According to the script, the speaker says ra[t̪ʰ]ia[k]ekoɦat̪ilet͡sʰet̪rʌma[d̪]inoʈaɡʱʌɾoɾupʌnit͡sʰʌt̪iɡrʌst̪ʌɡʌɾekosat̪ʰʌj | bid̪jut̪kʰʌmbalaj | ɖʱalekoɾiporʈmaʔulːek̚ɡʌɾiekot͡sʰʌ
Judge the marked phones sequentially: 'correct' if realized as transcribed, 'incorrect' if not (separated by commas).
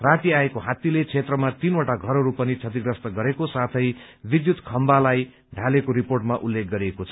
incorrect, incorrect, incorrect